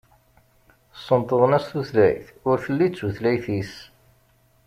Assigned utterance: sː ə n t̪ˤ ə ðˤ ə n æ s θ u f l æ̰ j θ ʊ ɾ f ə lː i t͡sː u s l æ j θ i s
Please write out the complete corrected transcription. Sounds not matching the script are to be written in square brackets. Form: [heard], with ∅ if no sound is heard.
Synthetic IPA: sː ə n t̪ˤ ə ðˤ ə n æ s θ u [θ] l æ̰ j θ ʊ ɾ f ə lː i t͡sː u [θ] l æ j θ i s